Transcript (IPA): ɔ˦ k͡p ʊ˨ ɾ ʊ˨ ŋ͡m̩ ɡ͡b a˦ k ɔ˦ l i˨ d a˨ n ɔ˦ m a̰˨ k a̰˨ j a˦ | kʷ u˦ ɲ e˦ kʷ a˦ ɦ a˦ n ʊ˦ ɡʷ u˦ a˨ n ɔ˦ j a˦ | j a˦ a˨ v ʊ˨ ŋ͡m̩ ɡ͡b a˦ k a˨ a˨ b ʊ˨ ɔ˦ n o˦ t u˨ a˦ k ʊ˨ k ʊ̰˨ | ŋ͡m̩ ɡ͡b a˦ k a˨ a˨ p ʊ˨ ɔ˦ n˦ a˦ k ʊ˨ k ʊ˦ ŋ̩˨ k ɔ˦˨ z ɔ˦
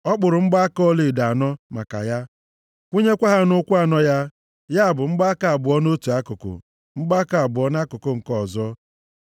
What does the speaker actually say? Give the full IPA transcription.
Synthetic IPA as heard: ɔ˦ k͡p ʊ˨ ɾ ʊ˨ ŋ͡m̩ ɡ͡b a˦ k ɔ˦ l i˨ d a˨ n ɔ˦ m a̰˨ k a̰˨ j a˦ | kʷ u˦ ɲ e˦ kʷ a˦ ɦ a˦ n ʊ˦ kʷ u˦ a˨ n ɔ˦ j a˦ | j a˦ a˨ b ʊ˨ ŋ͡m̩ ɡ͡b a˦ k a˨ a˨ b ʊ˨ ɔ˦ n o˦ t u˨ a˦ k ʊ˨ k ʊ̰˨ | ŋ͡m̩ ɡ͡b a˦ k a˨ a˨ b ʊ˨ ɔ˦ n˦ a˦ k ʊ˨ k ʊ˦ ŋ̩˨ k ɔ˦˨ z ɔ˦

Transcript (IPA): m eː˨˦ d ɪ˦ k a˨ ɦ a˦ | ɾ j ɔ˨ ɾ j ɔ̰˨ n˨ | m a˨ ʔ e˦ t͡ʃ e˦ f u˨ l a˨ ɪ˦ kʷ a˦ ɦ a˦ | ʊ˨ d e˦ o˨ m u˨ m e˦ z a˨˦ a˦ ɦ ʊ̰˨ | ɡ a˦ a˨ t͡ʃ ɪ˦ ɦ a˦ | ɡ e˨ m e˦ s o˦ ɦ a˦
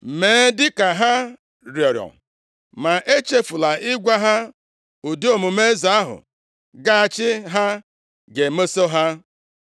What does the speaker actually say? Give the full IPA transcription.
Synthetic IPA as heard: m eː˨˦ d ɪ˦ k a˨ ɦ a˦ | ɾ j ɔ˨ ɾ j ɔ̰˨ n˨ | m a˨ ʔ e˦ t͡ʃ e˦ f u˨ l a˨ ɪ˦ ɡʷ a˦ ɦ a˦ | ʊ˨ d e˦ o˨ m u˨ m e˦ z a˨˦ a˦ ɦ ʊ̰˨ | ɡ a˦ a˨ t͡ʃ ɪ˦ ɦ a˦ | ɡ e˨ m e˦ s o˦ ɦ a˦

